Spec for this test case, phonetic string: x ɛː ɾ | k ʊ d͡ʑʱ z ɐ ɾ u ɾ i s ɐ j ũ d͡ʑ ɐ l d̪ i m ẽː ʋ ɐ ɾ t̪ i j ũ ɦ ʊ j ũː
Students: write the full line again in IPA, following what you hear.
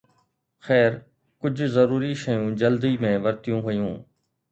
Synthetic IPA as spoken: x ɛː ɾ | k ʊ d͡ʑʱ z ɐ ɾ uː ɾ i ʃ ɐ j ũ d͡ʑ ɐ l d̪ i m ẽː ʋ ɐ ɾ t̪ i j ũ ɦ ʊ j ũː